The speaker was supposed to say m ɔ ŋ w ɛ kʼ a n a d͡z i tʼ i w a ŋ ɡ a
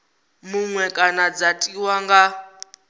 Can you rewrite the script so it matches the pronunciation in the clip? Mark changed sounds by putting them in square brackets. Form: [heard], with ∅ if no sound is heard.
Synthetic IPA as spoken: m [u] ŋ w ɛ kʼ a n a d͡z [a] tʼ i w a ŋ ɡ a